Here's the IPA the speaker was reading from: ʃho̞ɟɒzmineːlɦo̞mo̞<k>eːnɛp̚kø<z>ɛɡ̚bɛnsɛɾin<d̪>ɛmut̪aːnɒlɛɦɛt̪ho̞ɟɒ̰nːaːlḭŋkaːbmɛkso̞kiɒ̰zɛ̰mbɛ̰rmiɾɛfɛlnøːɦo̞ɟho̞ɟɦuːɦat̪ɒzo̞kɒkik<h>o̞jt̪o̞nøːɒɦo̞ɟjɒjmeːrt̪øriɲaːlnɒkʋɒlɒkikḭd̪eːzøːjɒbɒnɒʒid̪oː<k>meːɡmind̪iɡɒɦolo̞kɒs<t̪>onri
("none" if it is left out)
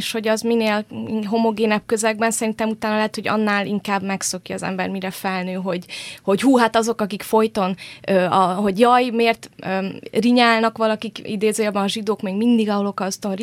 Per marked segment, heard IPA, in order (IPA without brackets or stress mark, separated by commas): ɡ, z, t̪, f, k, t̪